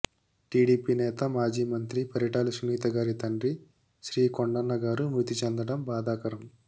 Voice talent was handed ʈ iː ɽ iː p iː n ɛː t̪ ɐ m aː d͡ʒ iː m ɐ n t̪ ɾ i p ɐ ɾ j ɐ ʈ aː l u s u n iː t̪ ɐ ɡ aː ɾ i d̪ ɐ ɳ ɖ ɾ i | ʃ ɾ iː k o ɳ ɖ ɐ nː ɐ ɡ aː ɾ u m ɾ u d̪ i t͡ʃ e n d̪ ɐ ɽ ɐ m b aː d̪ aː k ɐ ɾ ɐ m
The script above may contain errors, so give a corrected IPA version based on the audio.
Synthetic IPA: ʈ iː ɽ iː p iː n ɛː t̪ ɐ m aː d͡ʒ iː m ɐ n t̪ ɾ i p ɐ ɾ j ɐ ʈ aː l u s u n iː t̪ ɐ ɡ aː ɾ i t̪ ɐ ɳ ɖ ɾ i | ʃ ɾ iː k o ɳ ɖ ɐ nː ɐ ɡ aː ɾ u m ɾ u t̪ i t͡ʃ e n d̪ ɐ ɽ ɐ m b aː d̪ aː k ɐ ɾ ɐ m

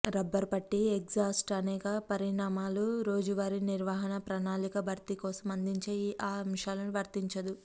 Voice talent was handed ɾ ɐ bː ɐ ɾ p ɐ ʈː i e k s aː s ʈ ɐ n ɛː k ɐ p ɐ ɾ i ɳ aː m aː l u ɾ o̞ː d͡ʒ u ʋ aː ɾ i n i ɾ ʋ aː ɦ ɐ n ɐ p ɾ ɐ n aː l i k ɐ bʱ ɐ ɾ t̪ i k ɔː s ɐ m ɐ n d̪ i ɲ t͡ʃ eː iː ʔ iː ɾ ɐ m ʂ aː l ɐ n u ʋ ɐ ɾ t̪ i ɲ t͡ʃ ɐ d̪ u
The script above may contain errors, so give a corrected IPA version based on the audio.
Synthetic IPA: ɾ ɐ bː ɐ ɾ p ɐ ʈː i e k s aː s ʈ ɐ n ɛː k ɐ p ɐ ɾ i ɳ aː m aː l u ɾ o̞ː d͡ʒ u ʋ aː ɾ i n i ɾ ʋ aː ɦ ɐ n ɐ p ɾ ɐ n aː l i k ɐ bʱ ɐ ɾ t̪ i k ɔː s ɐ m ɐ n d̪ i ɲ t͡ʃ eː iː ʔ aː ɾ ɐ m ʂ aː l ɐ n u ʋ ɐ ɾ t̪ i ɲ t͡ʃ ɐ d̪ u

